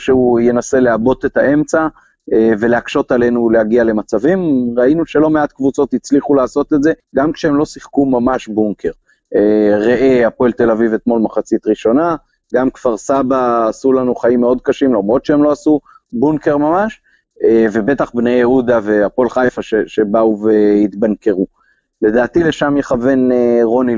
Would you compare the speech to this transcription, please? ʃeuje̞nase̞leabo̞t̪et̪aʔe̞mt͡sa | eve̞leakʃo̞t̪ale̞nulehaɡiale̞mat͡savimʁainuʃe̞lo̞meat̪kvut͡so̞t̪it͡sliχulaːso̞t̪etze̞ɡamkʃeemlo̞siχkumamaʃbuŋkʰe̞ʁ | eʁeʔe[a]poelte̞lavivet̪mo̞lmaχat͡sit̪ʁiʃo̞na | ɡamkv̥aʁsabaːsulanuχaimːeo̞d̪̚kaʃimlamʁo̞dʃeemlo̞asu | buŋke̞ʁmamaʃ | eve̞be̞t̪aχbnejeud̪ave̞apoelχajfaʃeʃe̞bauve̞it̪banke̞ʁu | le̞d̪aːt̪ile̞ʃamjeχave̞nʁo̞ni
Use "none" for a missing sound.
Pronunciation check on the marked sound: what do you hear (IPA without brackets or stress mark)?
a